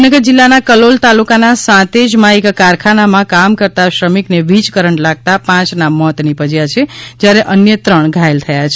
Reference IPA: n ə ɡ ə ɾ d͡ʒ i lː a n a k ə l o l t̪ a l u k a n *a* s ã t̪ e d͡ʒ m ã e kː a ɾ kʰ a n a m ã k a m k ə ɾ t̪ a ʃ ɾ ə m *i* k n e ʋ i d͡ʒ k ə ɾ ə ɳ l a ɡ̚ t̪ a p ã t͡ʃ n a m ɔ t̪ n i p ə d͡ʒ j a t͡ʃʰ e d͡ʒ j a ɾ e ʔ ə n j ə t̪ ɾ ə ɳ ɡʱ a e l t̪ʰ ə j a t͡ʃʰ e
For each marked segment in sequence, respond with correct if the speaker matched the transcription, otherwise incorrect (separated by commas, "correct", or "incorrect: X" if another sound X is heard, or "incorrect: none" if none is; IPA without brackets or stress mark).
correct, correct